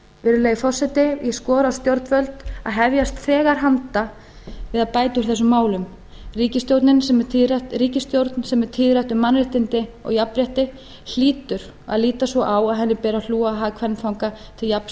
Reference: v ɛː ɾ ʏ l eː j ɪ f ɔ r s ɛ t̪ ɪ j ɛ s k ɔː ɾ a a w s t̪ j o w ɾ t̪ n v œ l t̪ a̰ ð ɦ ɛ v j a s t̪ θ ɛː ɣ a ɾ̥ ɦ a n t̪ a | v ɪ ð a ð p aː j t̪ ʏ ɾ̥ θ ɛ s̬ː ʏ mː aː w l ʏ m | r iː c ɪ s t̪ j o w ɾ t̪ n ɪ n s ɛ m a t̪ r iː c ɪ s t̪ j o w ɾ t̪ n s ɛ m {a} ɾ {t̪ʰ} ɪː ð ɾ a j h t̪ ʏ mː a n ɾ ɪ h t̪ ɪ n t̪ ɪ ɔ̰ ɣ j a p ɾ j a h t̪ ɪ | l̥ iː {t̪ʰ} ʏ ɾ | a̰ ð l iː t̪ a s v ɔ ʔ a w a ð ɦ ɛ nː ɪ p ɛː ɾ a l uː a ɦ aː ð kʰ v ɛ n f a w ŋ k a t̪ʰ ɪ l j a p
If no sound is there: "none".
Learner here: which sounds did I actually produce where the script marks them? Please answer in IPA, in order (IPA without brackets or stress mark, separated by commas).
ɛ, t̪ʰ, t̪